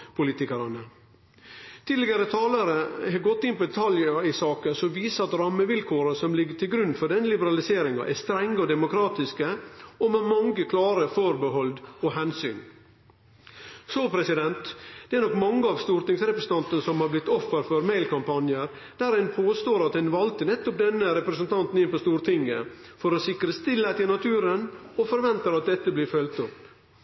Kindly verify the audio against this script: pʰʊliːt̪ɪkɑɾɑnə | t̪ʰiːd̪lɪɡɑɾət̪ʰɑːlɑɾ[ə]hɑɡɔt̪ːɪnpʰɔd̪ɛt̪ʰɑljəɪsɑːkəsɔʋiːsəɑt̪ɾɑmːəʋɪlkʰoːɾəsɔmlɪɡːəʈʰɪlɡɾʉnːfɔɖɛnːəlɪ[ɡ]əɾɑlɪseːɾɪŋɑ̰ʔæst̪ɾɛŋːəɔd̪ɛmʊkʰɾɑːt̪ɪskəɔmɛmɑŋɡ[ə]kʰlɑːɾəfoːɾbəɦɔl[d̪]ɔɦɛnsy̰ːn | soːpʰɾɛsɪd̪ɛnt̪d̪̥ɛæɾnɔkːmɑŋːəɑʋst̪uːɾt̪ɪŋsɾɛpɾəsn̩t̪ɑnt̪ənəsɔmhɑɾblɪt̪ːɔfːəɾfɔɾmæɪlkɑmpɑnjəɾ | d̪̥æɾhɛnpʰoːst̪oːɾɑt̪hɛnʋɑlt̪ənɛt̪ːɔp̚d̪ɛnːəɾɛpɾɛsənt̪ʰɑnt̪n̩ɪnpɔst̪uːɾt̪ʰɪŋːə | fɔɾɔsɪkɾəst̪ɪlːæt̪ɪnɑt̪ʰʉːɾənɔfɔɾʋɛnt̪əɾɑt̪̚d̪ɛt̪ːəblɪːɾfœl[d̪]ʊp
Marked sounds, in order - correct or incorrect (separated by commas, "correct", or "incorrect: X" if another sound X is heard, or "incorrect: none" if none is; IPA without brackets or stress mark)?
correct, incorrect: b, correct, correct, incorrect: t̪